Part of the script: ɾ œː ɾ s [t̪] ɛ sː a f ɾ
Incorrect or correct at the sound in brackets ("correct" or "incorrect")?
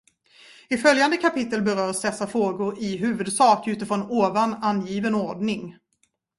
incorrect